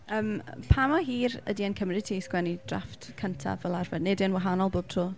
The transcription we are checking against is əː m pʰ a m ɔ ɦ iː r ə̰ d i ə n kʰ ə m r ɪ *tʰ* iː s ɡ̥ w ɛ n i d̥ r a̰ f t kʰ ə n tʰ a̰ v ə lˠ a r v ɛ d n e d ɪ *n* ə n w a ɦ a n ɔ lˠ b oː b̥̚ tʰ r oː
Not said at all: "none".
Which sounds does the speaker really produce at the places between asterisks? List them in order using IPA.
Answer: tʰ, none

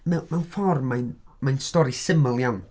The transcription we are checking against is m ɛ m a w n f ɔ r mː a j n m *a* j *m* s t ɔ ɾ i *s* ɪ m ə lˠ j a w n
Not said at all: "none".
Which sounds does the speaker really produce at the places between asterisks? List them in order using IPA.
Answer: a, n, s

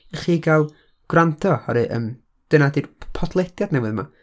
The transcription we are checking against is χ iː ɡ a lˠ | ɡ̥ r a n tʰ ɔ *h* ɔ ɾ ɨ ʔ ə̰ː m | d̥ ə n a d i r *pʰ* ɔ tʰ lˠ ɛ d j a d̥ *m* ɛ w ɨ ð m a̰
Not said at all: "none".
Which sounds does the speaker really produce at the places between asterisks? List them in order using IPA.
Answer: h, pʰ, n

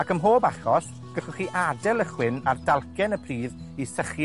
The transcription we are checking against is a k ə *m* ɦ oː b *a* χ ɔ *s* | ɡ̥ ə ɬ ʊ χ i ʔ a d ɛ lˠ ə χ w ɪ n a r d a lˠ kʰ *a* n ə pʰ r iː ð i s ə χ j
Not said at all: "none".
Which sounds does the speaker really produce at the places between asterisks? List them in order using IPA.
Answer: m, a, s, ɛ

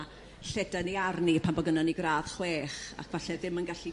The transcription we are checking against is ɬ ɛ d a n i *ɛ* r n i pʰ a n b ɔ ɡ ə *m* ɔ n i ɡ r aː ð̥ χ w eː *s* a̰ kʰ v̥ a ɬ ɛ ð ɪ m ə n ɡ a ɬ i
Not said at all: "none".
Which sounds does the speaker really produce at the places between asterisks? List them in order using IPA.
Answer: a, n, χ

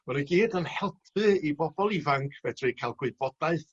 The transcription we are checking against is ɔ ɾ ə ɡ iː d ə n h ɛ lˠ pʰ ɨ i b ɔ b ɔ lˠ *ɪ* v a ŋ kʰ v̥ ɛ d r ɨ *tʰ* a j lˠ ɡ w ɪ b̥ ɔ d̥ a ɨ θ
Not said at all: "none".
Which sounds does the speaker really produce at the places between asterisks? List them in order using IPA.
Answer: i, kʰ

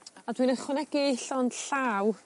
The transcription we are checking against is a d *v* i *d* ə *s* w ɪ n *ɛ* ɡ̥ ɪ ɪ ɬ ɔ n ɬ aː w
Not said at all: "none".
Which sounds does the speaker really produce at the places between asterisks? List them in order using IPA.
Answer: w, n, χ, ɛ

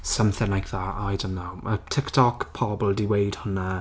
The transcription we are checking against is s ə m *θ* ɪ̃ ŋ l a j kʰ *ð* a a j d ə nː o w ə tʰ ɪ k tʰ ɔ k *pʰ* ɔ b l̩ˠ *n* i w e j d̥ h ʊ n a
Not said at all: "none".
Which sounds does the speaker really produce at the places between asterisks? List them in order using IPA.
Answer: θ, ð, pʰ, d

